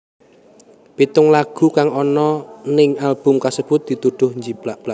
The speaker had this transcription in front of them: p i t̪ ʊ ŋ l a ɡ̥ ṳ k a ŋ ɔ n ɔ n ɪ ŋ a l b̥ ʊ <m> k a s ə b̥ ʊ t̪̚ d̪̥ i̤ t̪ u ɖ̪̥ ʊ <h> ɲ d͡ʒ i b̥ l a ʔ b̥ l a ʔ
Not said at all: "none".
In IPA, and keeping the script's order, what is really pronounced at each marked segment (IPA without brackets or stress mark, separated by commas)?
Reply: m, h